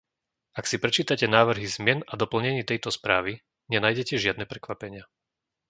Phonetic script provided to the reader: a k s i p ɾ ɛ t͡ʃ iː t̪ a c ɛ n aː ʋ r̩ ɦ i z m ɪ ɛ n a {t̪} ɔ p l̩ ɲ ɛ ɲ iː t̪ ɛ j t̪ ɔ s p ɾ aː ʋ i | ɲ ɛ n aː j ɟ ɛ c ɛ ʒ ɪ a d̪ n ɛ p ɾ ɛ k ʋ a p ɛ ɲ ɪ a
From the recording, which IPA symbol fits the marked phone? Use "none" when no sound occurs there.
d̪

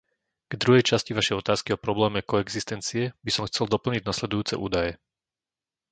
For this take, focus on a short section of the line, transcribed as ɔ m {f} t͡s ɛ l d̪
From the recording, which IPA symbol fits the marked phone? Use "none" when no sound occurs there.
x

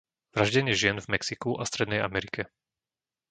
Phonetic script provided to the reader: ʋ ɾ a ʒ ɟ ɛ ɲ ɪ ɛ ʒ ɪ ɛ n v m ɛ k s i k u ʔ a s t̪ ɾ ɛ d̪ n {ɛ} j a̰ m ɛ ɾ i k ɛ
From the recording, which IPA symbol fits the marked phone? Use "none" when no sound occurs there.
ɛ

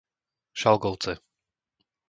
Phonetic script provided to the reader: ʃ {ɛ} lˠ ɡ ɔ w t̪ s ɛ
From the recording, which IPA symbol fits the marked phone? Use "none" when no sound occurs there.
a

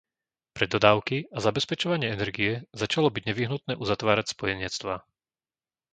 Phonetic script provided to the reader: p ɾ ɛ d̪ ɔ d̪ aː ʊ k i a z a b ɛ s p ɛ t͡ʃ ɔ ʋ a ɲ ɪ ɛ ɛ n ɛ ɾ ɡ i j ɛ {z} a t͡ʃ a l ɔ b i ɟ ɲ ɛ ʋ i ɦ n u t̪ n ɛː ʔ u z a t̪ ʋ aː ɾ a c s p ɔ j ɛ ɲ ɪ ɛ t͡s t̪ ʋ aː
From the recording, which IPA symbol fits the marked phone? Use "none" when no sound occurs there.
z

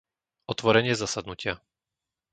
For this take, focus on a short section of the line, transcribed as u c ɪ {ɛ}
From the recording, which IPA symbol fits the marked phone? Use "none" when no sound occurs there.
a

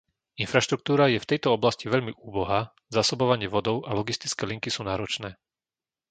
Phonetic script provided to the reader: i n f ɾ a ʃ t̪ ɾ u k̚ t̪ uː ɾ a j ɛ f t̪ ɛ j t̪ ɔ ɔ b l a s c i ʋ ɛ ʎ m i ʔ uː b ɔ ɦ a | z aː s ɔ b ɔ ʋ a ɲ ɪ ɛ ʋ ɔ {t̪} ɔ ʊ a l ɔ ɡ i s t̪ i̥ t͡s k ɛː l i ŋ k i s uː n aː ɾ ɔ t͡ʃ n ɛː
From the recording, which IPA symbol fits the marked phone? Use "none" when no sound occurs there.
d̪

